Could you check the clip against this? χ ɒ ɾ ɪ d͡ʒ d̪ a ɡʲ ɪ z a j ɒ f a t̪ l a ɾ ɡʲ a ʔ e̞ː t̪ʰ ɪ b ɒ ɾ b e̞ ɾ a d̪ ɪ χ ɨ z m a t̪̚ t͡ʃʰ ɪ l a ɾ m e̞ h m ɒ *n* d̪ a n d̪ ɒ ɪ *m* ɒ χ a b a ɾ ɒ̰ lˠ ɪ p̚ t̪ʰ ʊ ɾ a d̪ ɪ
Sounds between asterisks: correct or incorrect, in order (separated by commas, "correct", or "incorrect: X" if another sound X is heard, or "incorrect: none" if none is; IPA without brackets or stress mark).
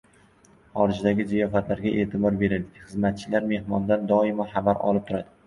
correct, correct